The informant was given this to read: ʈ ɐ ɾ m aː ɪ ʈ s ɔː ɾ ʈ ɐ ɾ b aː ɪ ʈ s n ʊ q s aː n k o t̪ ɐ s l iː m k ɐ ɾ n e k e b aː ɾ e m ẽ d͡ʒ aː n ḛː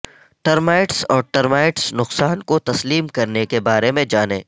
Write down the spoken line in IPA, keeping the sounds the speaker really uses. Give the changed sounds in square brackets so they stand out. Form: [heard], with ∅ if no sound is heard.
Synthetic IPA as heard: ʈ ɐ ɾ m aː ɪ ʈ s ɔː ɾ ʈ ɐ ɾ [m] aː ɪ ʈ s n ʊ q s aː n k o t̪ ɐ s l iː m k ɐ ɾ n e k e b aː ɾ e m ẽ d͡ʒ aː n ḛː

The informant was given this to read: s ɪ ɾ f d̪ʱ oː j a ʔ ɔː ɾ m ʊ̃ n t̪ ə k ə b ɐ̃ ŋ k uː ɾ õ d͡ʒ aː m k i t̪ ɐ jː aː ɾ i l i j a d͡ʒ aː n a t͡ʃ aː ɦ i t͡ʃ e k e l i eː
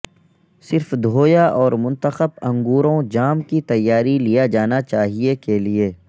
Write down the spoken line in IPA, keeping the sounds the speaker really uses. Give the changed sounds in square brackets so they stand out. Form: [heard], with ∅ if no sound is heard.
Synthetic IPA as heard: s ɪ ɾ f d̪ʱ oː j a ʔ ɔː ɾ m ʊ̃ n t̪ ə [x] ə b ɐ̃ ŋ [ɡ] uː ɾ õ d͡ʒ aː m k i t̪ ɐ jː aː ɾ i l i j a d͡ʒ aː n a t͡ʃ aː ɦ i [∅] e k e l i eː

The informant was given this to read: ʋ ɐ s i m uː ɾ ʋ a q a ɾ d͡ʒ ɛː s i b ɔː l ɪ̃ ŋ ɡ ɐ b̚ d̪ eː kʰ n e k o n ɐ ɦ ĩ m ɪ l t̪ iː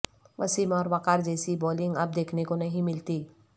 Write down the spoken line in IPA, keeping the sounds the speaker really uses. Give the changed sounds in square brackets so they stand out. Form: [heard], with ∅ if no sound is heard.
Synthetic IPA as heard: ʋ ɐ s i m [ɔː] ɾ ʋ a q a ɾ d͡ʒ ɛː s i b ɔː l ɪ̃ ŋ ɡ ɐ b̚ d̪ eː kʰ n e k o n ɐ ɦ ĩ m ɪ l t̪ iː

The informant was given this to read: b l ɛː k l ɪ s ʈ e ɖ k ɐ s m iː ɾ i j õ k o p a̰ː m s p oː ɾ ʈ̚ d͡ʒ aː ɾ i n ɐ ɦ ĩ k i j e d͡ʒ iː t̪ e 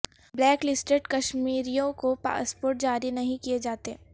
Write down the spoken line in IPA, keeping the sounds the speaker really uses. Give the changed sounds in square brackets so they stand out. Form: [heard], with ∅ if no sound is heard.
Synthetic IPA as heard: b l ɛː k l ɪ s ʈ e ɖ k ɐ [ʃ] m iː ɾ i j õ k o p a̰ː [∅] s p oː ɾ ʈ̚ d͡ʒ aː ɾ i n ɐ ɦ ĩ k i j e d͡ʒ [aː] t̪ e

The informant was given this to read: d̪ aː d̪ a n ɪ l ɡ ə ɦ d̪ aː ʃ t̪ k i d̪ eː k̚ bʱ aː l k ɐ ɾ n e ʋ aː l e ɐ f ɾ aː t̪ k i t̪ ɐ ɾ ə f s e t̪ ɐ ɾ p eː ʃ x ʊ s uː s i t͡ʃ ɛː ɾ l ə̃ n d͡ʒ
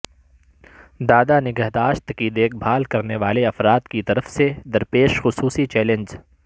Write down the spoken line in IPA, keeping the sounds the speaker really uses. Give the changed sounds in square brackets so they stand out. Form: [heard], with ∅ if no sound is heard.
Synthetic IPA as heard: d̪ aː d̪ a n ɪ [∅] ɡ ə ɦ d̪ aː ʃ t̪ k i d̪ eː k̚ bʱ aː l k ɐ ɾ n e ʋ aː l e ɐ f ɾ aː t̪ k i t̪ ɐ ɾ ə f s e [d̪] ɐ ɾ p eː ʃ x ʊ s uː s i t͡ʃ ɛː [∅] l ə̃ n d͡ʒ

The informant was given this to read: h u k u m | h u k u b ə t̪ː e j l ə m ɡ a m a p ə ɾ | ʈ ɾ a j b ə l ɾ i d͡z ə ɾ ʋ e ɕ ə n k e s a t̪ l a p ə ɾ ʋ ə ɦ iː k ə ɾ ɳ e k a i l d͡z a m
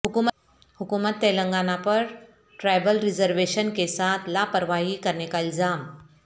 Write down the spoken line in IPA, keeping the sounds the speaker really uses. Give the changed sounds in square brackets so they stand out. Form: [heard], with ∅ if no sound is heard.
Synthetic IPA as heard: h u k u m | h u k u [m] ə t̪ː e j l ə [ŋ] ɡ a [n] a p ə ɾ | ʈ ɾ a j b ə l ɾ i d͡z ə ɾ ʋ e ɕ ə n k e s a t̪ l a p ə ɾ ʋ [a] ɦ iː k ə ɾ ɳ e k a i l d͡z a m

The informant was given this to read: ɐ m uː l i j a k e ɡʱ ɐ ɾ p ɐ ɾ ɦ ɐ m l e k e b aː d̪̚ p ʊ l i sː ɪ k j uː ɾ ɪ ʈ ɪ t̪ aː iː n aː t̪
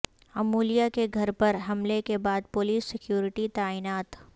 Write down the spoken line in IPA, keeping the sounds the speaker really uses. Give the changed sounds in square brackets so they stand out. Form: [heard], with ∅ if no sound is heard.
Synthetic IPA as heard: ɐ m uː l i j a k e ɡʱ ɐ ɾ p ɐ ɾ ɦ ɐ m l e k e b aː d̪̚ p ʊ l [iː] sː ɪ k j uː ɾ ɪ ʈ [i] t̪ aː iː n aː t̪

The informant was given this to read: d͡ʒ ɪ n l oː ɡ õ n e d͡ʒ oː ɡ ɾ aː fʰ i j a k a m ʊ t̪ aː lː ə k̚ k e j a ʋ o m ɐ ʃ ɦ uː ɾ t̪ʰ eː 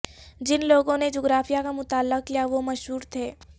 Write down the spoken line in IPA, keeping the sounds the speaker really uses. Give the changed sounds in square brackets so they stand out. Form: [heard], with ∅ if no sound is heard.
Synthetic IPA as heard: d͡ʒ ɪ n l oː ɡ õ n e d͡ʒ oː ɡ ɾ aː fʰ i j a k a m ʊ t̪ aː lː ə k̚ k [i] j a ʋ o m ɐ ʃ ɦ uː ɾ t̪ʰ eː

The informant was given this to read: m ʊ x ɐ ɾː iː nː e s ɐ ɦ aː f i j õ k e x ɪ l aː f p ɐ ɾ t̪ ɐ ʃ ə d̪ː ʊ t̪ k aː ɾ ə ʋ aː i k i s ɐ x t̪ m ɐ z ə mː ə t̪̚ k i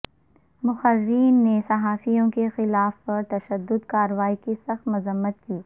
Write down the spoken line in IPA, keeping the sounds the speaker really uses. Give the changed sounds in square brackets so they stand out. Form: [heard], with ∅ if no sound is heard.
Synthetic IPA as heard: m ʊ x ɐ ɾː iː nː e s ɐ ɦ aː f i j õ k e x ɪ l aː f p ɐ ɾ t̪ ɐ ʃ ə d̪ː ʊ [d̪] k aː ɾ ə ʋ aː i k i s ɐ x t̪ m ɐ z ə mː ə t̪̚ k [iː]

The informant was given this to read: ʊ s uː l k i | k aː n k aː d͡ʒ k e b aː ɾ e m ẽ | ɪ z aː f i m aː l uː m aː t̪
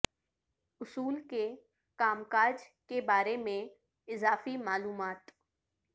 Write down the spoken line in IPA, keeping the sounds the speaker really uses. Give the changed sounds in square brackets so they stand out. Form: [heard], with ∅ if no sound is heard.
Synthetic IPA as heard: ʊ s uː l k [e] | k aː [m] k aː d͡ʒ k e b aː ɾ e m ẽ | ɪ z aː f i m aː l uː m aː t̪

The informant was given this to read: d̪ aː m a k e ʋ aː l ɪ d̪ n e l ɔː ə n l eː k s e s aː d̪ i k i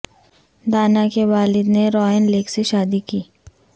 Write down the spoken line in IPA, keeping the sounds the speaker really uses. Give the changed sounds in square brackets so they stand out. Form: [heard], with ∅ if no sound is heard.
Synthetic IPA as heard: d̪ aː [n] a k e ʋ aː l ɪ d̪ n e [ɾ] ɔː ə n l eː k s e [ʃ] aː d̪ i k [iː]

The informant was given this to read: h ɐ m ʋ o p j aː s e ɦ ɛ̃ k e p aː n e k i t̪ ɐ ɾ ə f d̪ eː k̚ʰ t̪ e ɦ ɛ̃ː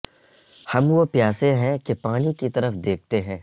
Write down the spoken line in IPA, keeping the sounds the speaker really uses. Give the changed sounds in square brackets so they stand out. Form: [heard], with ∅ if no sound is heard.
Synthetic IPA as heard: h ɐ m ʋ o p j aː s e ɦ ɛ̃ k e p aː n [i] k i t̪ ɐ ɾ ə f d̪ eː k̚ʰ t̪ e ɦ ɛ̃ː

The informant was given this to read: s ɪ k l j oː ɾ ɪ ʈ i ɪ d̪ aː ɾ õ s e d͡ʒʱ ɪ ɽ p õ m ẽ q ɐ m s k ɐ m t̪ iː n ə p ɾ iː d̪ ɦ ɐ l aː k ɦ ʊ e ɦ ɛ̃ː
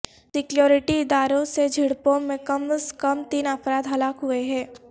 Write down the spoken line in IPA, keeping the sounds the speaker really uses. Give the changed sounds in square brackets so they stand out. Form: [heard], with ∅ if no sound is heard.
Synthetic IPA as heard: s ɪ k l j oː ɾ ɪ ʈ i ɪ d̪ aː ɾ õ s e d͡ʒʱ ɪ ɽ p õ m ẽ [k] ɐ m s k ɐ m t̪ iː n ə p ɾ [aː] d̪ ɦ ɐ l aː k ɦ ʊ e ɦ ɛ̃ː

